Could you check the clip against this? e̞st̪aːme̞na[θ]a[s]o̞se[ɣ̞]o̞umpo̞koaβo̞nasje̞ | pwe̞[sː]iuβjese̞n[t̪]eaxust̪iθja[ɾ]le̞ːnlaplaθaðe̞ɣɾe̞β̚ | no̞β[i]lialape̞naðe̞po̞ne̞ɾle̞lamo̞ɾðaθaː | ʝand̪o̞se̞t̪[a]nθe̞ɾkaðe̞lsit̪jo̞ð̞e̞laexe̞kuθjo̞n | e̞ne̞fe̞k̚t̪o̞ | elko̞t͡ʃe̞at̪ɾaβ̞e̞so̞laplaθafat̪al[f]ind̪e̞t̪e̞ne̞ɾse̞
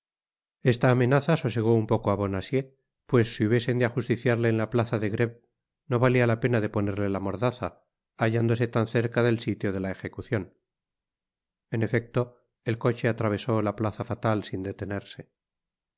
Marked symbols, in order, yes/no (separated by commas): yes, yes, yes, yes, no, yes, no, yes, no